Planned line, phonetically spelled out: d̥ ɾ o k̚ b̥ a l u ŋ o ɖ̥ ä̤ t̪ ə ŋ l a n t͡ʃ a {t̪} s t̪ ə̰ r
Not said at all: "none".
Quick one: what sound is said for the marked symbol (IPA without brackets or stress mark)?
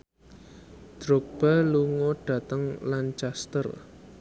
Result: none